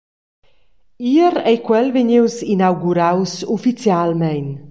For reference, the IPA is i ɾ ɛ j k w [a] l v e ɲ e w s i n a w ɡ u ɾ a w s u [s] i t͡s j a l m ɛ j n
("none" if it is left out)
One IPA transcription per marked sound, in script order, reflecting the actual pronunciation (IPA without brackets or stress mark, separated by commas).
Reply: ɛ, f